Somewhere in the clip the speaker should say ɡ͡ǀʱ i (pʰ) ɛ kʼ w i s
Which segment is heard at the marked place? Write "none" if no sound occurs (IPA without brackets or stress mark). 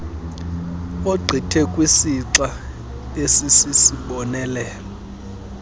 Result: tʰ